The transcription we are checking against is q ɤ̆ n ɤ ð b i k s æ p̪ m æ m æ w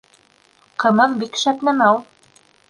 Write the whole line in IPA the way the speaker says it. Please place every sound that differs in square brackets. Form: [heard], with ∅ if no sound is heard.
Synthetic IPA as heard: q ɤ̆ [m] ɤ ð b i k [ʃ] æ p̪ [n] æ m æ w